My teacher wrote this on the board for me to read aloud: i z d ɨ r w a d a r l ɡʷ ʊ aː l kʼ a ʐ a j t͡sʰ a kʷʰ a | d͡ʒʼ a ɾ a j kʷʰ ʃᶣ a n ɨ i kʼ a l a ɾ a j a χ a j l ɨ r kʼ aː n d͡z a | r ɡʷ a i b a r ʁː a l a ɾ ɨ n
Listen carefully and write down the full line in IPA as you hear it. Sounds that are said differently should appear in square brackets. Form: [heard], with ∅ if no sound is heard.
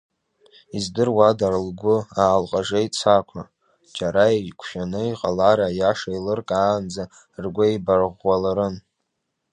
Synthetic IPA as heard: i z d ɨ r w a d a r l ɡʷ ʊ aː l [qʼ] a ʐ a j t͡sʰ a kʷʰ a | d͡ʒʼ a ɾ a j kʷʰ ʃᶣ a n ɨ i [qʼ] a l a ɾ a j a [ʂ] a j l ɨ r kʼ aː n d͡z a | r ɡʷ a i b a r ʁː a l a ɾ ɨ n

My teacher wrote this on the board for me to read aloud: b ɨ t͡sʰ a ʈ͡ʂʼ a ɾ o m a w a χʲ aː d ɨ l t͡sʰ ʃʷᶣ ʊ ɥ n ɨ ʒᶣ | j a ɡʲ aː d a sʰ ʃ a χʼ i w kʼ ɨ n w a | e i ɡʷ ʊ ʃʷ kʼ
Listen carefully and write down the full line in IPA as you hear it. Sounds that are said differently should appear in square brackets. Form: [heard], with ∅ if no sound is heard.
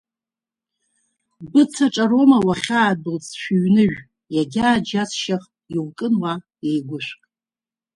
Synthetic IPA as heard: b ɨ t͡sʰ a ʈ͡ʂʼ a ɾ o m a w a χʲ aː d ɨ l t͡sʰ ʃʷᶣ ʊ ɥ n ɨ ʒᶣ | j a ɡʲ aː [d͡ʒ] a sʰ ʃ a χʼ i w kʼ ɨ n w a | e [j] ɡʷ ʊ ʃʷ kʼ

